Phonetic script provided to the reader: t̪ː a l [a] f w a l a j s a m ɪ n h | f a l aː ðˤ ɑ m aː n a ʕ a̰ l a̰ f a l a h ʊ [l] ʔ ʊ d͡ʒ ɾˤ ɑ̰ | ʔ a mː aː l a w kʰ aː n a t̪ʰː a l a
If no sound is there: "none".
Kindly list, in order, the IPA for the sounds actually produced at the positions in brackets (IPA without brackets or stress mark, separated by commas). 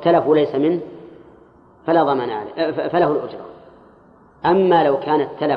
a, l